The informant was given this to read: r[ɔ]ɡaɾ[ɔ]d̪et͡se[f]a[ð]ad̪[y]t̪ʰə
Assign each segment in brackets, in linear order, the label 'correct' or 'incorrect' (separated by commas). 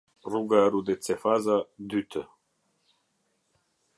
incorrect, incorrect, correct, incorrect, correct